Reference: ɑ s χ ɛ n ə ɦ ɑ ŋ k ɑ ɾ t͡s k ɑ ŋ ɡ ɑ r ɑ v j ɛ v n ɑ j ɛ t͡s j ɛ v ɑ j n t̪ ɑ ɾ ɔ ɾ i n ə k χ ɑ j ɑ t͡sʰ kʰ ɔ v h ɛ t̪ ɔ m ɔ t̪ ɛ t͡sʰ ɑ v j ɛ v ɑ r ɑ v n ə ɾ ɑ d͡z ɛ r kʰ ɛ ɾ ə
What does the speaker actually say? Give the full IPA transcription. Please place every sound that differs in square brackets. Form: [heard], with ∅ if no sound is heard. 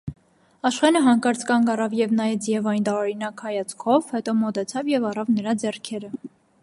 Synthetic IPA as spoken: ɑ [ʃ] χ ɛ n ə ɦ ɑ ŋ k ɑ ɾ t͡s k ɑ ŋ ɡ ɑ r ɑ v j ɛ v n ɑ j ɛ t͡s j ɛ v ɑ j n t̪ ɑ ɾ ɔ ɾ i n [ɑ] k [h] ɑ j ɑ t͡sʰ kʰ ɔ v h ɛ t̪ ɔ m ɔ t̪ ɛ t͡sʰ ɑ v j ɛ v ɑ r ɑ v n ə ɾ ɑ d͡z ɛ r kʰ ɛ ɾ ə